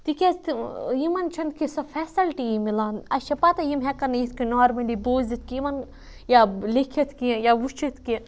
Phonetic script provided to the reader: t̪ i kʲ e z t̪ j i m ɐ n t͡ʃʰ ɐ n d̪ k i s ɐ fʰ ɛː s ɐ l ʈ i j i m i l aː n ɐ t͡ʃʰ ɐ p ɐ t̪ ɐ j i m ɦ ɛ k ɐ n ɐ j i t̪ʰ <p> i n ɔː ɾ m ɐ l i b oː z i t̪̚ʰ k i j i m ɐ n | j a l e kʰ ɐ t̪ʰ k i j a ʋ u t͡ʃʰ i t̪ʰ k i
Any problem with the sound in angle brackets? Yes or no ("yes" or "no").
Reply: yes